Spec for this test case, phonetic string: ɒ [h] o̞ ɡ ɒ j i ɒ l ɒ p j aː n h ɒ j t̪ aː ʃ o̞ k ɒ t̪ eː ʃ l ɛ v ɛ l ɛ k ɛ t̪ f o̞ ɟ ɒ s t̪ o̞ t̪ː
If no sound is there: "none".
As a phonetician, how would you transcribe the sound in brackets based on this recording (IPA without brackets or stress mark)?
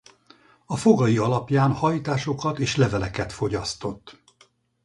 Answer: f